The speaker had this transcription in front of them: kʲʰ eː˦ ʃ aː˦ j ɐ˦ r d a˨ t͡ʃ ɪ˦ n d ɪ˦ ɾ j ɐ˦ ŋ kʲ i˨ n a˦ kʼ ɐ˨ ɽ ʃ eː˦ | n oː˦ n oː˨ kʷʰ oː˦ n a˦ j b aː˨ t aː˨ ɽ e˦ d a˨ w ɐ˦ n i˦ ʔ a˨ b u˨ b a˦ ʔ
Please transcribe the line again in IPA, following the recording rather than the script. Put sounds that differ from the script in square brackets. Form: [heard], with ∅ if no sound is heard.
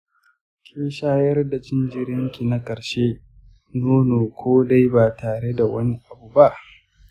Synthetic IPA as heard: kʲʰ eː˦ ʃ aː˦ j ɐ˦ r d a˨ t͡ʃ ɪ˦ n [d͡ʒ] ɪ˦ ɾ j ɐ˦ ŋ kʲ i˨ n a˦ kʼ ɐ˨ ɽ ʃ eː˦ | n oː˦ n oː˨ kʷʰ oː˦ [d] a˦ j b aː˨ t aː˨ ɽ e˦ d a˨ w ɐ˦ n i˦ ʔ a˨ b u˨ b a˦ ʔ

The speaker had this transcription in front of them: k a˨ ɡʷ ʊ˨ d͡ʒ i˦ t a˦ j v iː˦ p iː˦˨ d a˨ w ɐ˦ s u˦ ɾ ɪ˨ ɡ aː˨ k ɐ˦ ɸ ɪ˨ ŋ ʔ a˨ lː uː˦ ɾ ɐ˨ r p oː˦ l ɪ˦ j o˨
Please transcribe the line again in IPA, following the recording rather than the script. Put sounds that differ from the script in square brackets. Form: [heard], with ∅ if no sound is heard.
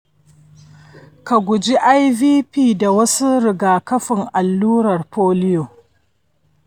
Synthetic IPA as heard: k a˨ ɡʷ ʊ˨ d͡ʒ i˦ [ʔ] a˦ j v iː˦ p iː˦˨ d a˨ w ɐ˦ s u˦ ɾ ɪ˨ ɡ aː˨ k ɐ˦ ɸ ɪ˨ ŋ ʔ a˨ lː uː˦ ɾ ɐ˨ r p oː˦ l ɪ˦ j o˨

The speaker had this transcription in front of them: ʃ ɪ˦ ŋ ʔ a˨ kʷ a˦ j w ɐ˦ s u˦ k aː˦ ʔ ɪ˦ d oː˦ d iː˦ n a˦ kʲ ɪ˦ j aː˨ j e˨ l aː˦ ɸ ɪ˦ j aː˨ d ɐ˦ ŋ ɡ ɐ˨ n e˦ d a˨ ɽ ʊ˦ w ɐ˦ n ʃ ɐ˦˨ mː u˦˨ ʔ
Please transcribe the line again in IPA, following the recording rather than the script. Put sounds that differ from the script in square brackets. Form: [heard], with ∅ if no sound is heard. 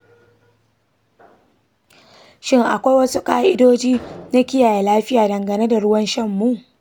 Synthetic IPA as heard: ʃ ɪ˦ ŋ ʔ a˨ kʷ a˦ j w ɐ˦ s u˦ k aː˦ ʔ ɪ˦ d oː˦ [d͡ʒ] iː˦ n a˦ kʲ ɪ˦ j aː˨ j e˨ l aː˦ ɸ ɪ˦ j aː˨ d [ɐ˨] ŋ ɡ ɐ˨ n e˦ d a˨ ɽ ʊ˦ w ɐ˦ n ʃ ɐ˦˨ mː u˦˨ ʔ

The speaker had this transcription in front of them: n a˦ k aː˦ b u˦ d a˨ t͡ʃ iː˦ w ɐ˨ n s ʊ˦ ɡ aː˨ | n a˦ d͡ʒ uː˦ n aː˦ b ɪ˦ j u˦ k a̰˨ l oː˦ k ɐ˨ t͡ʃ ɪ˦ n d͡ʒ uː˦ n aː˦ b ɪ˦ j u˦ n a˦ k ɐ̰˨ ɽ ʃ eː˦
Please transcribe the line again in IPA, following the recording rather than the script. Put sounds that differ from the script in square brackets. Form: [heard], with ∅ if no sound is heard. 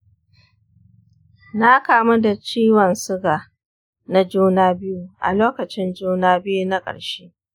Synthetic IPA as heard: n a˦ k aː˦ [m] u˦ d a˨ t͡ʃ iː˦ w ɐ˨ n s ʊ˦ ɡ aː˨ | n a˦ d͡ʒ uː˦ n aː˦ b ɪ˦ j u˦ [ʔ] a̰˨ l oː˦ k ɐ˨ t͡ʃ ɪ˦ n d͡ʒ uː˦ n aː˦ b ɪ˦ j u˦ n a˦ [kʼ] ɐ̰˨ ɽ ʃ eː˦

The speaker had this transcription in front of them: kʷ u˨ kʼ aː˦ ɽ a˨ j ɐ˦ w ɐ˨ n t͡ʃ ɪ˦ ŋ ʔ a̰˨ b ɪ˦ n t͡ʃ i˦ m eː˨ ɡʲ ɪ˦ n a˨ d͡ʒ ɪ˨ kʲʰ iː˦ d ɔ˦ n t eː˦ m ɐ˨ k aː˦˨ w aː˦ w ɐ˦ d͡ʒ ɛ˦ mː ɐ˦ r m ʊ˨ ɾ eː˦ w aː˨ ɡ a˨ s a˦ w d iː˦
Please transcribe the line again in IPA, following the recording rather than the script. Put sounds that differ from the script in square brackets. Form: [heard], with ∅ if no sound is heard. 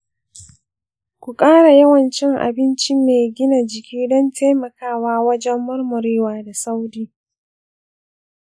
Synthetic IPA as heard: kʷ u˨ kʼ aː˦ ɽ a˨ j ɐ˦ w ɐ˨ n t͡ʃ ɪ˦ ŋ ʔ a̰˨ b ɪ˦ n t͡ʃ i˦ m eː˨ ɡʲ ɪ˦ n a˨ d͡ʒ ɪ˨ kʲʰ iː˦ d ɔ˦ n t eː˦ m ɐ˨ k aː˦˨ w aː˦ w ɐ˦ d͡ʒ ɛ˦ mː ɐ˦ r m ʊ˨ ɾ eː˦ w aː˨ [d] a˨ s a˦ w d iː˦

